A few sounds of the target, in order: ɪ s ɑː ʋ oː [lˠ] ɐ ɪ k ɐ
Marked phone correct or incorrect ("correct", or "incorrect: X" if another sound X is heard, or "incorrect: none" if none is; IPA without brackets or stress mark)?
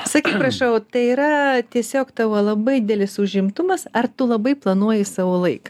correct